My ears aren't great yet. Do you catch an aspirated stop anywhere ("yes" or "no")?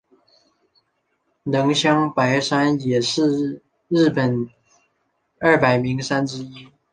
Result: no